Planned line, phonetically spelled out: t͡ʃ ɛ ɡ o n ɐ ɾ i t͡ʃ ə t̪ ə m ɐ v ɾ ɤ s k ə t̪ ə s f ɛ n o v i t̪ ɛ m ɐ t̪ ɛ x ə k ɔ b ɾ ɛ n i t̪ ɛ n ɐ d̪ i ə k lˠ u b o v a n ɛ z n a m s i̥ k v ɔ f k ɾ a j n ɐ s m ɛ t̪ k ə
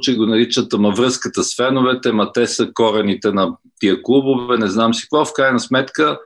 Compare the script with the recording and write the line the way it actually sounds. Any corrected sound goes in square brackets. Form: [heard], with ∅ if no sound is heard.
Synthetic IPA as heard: t͡ʃ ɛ ɡ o n ɐ ɾ i t͡ʃ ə t̪ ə m ɐ v ɾ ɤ s k ə t̪ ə s f ɛ n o v [ɛ] t̪ ɛ m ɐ t̪ ɛ [s] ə k ɔ [∅] ɾ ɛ n i t̪ ɛ n ɐ [t̪] i ə k lˠ u b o v [ɛ] n ɛ z n a m s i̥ k v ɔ f k ɾ a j n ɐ s m ɛ t̪ k ə